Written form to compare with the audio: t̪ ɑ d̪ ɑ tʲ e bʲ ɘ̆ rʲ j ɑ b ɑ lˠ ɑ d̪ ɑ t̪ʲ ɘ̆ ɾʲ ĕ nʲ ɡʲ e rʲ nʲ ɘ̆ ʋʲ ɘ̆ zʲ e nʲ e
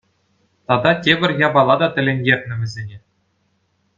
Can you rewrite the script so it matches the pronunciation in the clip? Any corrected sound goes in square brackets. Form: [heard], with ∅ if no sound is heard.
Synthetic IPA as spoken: t̪ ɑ d̪ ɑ tʲ e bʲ ɘ̆ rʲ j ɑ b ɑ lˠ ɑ d̪ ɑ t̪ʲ ɘ̆ [lʲ] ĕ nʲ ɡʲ e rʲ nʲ ɘ̆ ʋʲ ɘ̆ zʲ e nʲ e